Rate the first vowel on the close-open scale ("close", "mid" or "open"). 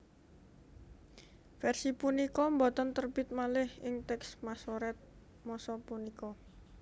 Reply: mid